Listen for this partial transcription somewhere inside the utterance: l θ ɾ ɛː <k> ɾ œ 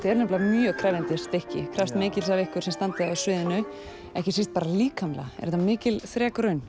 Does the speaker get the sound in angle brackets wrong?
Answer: no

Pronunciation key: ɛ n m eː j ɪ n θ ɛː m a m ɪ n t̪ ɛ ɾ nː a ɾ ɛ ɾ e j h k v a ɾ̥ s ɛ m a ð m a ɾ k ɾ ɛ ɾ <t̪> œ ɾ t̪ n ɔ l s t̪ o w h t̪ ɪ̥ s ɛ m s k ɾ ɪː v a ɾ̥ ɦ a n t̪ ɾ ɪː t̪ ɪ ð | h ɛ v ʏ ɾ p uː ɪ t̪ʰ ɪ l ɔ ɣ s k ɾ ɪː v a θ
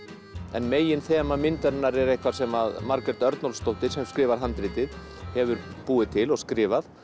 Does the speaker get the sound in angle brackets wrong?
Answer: no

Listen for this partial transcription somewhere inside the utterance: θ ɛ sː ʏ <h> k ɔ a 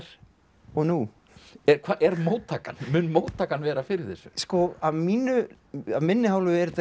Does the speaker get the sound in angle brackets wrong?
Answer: yes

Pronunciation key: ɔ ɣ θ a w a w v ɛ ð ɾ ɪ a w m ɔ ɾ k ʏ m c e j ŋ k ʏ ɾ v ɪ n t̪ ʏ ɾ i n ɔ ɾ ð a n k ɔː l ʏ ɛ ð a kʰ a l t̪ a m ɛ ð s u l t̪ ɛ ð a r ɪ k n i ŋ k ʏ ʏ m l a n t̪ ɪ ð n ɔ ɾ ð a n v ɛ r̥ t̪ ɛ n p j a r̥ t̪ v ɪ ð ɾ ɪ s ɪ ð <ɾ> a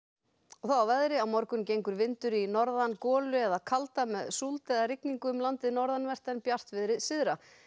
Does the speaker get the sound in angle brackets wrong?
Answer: no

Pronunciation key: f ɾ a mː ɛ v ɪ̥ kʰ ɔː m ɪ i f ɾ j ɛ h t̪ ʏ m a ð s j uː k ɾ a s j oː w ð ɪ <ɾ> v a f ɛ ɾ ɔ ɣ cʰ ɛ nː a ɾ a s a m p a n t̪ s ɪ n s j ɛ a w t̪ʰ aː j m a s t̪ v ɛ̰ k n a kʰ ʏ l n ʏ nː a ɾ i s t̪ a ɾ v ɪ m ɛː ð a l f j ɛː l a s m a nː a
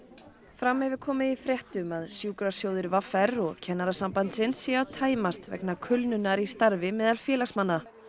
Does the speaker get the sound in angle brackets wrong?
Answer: no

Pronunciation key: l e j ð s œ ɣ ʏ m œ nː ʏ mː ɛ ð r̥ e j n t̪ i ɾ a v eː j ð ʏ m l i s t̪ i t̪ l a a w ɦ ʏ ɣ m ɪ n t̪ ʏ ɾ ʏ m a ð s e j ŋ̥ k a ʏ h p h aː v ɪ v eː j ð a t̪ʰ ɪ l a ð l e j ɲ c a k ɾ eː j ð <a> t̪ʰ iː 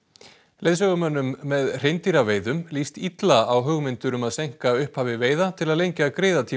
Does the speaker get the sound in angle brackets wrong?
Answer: no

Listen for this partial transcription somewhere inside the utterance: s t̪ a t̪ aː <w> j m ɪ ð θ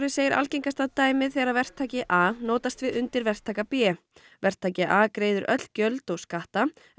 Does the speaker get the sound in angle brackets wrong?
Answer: yes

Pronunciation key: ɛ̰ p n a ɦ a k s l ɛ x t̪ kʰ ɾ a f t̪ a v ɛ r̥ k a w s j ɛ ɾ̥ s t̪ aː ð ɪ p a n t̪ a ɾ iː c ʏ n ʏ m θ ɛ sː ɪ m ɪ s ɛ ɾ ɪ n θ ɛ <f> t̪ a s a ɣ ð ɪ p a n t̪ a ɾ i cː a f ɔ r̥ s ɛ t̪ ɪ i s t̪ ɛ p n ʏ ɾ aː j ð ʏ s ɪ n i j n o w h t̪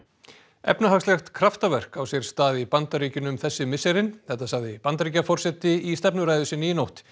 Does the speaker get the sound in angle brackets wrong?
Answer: yes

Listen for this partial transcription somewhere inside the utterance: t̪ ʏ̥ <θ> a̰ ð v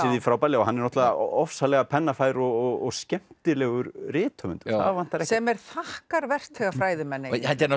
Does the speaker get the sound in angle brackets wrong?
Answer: no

